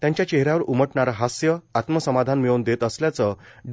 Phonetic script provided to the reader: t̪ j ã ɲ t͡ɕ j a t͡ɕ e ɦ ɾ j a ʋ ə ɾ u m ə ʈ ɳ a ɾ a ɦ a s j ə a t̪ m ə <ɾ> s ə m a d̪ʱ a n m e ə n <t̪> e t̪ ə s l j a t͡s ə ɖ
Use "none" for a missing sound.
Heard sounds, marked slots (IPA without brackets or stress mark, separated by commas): none, d̪